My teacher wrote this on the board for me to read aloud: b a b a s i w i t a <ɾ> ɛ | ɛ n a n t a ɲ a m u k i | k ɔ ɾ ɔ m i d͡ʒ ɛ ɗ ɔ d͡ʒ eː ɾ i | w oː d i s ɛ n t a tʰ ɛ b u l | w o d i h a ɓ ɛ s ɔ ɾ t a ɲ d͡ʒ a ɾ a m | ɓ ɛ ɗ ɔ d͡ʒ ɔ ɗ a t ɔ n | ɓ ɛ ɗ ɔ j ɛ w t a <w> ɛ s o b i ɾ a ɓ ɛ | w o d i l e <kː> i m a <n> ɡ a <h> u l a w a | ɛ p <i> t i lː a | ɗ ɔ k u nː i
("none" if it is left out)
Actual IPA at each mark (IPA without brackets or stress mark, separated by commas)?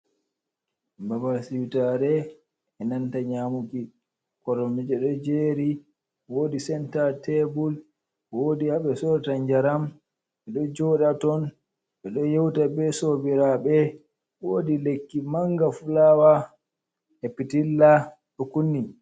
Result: ɾ, b, kː, ŋ, f, i